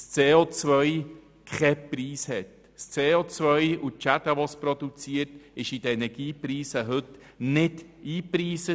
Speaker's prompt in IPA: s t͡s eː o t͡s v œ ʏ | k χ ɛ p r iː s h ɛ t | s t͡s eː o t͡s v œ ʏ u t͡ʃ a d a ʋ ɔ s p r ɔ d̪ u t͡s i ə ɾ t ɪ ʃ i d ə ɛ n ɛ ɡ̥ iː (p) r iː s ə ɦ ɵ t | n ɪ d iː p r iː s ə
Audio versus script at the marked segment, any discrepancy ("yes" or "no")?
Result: no